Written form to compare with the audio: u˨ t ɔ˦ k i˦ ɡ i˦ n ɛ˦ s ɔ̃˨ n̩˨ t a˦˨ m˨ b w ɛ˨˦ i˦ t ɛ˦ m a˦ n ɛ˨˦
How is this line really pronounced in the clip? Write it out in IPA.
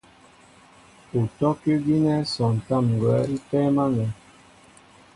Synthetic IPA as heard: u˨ t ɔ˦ k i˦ ɡ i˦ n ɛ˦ s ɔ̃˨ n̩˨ t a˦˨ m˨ ɡ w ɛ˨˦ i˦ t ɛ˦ m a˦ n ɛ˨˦